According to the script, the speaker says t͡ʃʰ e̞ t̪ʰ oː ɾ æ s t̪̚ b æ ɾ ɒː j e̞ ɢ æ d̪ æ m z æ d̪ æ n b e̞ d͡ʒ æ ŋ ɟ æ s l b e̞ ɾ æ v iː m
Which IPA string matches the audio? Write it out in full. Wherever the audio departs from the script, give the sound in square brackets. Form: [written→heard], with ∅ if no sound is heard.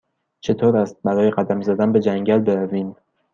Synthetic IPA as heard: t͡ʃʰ e̞ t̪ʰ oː ɾ æ s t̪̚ b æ ɾ ɒː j e̞ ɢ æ d̪ æ m z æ d̪ æ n b e̞ d͡ʒ æ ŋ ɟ æ [s→∅] l b e̞ ɾ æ v iː m